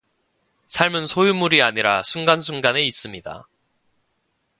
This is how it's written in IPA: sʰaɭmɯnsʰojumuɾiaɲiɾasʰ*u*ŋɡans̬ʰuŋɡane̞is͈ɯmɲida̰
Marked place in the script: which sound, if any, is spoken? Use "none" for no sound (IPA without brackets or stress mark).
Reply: u